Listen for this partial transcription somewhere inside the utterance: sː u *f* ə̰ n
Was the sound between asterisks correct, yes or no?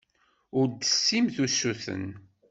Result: no